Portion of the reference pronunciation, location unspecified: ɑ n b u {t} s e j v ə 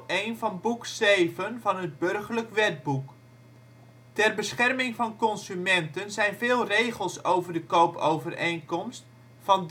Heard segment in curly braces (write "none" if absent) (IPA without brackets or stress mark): k